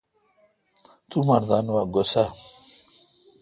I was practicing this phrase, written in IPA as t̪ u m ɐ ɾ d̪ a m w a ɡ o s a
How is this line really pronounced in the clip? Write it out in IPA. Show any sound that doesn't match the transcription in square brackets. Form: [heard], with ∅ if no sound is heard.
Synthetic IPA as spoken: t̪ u m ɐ ɾ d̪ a [n] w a ɡ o s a